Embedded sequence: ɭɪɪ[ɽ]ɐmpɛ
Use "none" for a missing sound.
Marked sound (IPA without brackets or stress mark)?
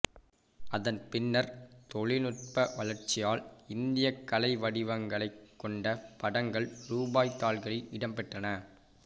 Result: ɽ